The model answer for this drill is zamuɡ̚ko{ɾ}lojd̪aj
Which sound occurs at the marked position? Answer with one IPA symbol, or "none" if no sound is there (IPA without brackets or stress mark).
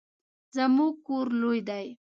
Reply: ɾ